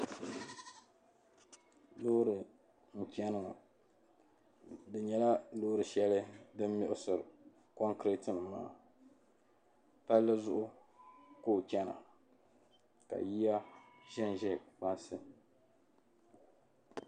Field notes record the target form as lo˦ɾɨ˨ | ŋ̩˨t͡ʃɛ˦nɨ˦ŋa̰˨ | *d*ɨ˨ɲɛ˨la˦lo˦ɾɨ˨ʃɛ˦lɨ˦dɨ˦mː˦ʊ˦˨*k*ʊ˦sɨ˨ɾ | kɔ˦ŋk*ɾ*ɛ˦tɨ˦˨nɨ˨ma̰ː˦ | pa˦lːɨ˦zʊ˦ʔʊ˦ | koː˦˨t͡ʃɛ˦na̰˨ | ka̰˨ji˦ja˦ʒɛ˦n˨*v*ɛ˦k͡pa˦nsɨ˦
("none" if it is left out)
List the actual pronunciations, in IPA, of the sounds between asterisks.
d, ʔ, ɾ, ʒ

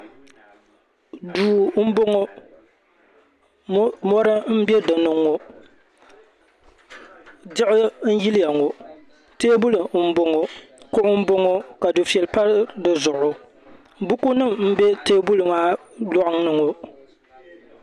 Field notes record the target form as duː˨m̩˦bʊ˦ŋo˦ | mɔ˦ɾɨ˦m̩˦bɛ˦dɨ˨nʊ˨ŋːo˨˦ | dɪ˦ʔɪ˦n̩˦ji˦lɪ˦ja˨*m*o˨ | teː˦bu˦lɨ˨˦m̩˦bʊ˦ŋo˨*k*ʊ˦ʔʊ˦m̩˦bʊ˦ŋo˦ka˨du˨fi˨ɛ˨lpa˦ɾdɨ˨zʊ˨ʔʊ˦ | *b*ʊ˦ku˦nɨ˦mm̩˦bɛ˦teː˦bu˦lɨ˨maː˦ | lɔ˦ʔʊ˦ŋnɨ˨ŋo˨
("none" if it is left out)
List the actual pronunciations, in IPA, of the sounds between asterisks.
ŋ, k, b

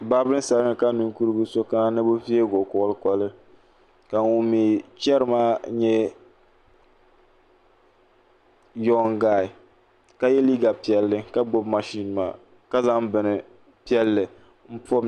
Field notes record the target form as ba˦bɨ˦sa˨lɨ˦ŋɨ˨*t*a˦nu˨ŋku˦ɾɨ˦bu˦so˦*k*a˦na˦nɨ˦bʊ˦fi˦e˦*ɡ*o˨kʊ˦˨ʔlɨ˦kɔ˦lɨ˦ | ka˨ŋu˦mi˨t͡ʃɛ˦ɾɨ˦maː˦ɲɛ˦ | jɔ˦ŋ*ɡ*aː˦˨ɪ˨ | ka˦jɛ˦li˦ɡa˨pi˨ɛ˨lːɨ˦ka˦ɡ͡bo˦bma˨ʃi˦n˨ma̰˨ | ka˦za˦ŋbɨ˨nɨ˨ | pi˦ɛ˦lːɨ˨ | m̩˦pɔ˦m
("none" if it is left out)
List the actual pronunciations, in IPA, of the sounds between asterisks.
k, k, ɡ, ɡ

